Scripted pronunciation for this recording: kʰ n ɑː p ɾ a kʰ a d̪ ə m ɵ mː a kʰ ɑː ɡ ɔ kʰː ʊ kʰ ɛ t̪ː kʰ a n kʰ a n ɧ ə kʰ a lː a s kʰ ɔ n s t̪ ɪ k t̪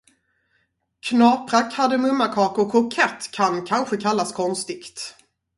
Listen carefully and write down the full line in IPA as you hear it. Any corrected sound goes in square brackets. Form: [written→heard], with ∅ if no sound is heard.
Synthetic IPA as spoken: kʰ n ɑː p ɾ a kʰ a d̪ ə m ɵ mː a kʰ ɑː [ɡ→k] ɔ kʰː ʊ kʰ ɛ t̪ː kʰ a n kʰ a n ɧ ə kʰ a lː a s kʰ ɔ n s t̪ ɪ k t̪